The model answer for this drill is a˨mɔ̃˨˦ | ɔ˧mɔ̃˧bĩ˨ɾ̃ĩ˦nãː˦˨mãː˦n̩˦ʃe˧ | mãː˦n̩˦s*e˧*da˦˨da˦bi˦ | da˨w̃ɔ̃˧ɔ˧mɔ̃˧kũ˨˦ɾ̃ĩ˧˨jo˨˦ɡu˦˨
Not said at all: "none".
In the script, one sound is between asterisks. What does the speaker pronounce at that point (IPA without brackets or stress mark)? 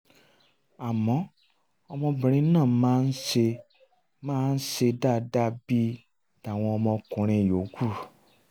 e˧